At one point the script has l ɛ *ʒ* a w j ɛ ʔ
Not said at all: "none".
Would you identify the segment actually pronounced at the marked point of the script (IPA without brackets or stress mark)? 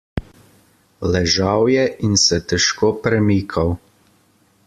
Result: ʒ